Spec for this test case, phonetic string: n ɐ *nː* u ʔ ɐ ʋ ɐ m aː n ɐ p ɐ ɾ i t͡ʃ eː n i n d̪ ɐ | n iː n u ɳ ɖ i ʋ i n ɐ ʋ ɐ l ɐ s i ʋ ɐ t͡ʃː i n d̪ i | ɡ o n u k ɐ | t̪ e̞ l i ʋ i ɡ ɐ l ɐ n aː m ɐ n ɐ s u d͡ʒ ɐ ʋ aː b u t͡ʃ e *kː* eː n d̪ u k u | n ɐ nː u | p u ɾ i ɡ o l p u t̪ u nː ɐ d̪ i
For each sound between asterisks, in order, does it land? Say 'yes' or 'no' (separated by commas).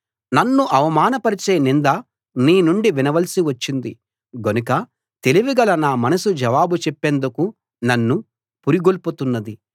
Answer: yes, no